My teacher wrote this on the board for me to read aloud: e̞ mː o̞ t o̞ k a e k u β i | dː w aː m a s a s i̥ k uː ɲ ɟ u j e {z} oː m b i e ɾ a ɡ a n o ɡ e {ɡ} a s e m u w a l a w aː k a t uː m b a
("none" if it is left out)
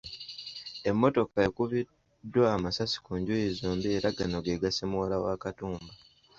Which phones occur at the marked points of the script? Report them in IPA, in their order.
z, ɡ

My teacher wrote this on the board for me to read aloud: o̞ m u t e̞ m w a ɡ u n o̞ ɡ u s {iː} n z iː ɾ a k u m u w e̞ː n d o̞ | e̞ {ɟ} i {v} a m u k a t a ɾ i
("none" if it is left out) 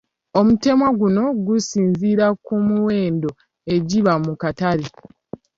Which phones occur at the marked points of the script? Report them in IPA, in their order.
iː, ɟ, β

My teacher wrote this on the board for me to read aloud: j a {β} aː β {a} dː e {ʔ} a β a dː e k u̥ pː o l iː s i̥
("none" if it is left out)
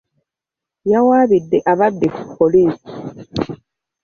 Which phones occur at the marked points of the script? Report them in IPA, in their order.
w, i, ʔ

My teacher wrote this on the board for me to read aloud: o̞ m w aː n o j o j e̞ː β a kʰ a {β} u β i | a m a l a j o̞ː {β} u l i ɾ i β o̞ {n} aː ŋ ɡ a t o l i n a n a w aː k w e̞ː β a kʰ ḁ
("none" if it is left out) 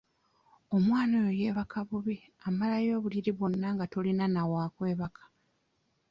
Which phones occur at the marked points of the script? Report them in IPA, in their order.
β, β, nː

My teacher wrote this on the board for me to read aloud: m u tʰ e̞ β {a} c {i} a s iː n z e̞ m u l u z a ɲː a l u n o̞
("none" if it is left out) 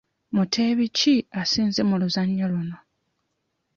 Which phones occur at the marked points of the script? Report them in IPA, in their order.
i, i

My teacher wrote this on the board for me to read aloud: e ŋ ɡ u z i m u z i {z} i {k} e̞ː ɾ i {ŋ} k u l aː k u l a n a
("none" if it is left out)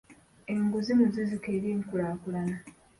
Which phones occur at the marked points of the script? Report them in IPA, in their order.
z, k, ŋ

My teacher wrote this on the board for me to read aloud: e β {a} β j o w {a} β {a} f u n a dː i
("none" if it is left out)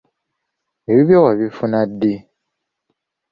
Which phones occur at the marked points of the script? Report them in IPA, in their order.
i, a, i

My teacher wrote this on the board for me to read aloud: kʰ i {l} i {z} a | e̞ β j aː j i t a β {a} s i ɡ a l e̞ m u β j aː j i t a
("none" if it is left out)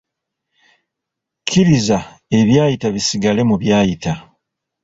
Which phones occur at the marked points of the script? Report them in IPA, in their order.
ɾ, z, i

